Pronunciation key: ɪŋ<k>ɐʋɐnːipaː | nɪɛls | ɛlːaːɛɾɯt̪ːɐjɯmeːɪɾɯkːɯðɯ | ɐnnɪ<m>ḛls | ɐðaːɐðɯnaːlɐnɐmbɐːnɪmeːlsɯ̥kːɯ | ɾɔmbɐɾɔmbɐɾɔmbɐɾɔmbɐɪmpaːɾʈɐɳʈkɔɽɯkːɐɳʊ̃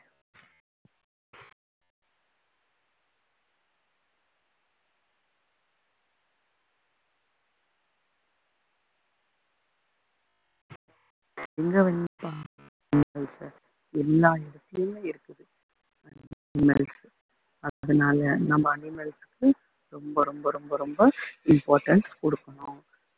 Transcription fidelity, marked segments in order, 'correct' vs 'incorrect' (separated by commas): incorrect, correct